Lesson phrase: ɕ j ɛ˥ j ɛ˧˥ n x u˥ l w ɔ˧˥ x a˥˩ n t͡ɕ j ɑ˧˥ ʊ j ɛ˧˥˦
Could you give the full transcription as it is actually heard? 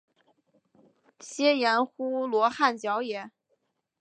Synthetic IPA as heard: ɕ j ɛ˥ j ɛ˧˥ n x u˥ l w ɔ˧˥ x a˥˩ n t͡ɕ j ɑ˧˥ ʊ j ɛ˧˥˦